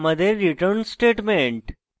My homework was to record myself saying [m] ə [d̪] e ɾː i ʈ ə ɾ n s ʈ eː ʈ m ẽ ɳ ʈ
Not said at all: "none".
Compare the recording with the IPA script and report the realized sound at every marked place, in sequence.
m, d̪

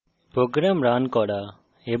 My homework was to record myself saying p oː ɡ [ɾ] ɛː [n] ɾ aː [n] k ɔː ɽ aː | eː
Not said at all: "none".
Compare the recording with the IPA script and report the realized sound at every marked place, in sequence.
ɾ, m, n

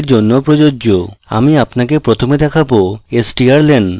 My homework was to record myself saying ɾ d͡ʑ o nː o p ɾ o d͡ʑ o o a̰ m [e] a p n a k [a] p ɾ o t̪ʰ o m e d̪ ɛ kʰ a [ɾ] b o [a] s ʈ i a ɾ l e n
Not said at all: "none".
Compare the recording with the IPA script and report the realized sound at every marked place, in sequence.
i, e, none, e

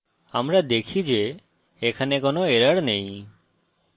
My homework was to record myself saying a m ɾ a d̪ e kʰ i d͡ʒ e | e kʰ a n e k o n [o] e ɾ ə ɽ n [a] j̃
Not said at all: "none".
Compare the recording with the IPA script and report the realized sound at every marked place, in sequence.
o, e

